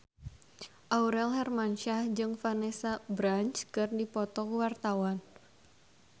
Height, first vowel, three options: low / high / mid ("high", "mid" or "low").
low